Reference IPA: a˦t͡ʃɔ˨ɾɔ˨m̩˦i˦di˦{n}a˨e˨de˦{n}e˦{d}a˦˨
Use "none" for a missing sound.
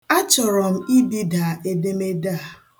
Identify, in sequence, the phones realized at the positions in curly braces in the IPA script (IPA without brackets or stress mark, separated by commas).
d, m, d